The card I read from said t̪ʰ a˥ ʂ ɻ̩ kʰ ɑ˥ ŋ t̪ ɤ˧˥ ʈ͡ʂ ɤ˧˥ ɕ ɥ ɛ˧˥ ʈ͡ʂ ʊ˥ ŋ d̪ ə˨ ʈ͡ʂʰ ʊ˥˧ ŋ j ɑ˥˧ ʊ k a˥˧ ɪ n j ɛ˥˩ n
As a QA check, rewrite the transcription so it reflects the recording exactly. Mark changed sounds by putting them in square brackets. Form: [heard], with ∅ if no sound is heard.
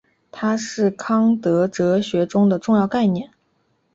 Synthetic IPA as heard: t̪ʰ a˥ ʂ ɻ̩ kʰ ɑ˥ ŋ t̪ ɤ˧˥ ʈ͡ʂ ɤ˧˥ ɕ ɥ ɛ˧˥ ʈ͡ʂ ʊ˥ ŋ d̪ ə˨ [ʈ͡ʂ] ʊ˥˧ ŋ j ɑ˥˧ ʊ k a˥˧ ɪ n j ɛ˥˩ n